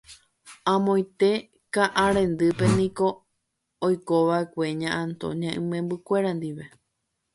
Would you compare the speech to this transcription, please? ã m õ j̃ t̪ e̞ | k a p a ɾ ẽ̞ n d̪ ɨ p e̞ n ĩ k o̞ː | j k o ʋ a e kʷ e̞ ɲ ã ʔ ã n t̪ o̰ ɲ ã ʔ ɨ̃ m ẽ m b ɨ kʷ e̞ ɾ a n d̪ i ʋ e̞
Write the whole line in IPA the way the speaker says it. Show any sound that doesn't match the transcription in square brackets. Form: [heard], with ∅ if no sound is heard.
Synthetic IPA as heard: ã m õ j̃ t̪ e̞ | k a [ʔ] a ɾ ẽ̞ n d̪ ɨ p e̞ n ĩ k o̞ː | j k o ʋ a e kʷ e̞ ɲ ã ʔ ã n t̪ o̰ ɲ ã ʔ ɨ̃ m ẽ m b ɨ kʷ e̞ ɾ a n d̪ i ʋ e̞